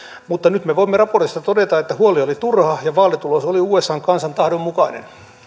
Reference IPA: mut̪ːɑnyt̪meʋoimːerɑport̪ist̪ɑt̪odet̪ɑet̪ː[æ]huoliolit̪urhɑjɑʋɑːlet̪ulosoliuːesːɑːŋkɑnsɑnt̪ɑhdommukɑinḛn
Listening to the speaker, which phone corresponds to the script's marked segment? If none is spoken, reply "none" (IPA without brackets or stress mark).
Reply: æ